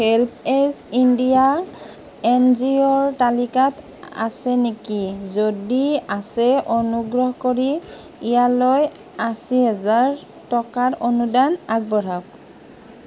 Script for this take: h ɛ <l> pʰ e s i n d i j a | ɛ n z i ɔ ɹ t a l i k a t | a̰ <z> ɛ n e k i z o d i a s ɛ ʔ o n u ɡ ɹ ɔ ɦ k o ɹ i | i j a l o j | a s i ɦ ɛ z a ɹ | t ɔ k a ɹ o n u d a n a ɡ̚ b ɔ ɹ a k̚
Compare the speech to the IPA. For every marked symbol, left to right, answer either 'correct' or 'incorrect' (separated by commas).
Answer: correct, incorrect